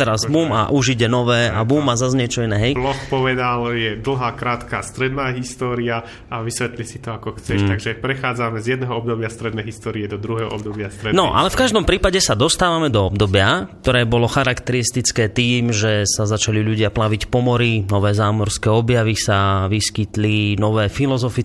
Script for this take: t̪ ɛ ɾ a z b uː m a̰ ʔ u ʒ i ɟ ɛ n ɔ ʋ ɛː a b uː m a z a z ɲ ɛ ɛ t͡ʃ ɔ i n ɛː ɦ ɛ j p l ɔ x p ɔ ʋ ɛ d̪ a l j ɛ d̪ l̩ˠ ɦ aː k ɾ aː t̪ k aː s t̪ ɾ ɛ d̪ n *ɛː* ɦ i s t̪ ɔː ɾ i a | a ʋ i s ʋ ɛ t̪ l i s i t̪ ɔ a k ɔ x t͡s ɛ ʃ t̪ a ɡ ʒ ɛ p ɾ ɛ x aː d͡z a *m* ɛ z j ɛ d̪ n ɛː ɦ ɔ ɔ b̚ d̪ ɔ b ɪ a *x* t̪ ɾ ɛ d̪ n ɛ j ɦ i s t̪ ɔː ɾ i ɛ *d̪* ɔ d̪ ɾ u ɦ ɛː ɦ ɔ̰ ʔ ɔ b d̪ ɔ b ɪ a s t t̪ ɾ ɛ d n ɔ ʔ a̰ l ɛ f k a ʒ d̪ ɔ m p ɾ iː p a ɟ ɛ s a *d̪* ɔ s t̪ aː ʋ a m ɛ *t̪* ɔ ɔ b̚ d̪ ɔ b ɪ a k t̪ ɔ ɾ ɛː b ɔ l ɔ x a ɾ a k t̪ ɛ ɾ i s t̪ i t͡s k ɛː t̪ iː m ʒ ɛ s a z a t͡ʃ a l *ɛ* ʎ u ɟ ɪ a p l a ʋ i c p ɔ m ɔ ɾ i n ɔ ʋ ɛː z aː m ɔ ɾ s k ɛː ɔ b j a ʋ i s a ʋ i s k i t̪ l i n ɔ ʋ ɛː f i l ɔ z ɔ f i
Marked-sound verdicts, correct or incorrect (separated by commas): incorrect, correct, incorrect, correct, correct, incorrect, incorrect